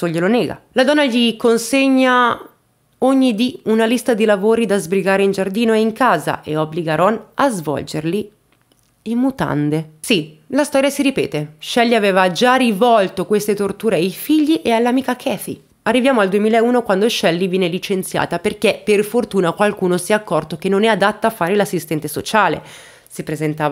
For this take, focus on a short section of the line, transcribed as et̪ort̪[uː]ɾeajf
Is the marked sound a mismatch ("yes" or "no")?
no